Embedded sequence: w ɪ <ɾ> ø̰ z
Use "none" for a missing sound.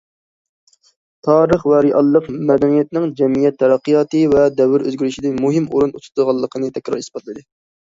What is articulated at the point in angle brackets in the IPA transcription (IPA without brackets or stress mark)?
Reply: ɾ